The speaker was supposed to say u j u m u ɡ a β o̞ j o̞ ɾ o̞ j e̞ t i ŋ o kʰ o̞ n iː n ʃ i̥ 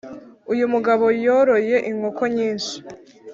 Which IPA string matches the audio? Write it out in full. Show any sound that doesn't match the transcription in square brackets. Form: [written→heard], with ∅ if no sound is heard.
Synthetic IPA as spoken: u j u m u ɡ a β o̞ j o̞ ɾ o̞ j e̞ [t→ʔ] i ŋ o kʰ o̞ [n→ɲ] iː n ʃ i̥